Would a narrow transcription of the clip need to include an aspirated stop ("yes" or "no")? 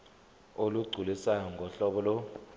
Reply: no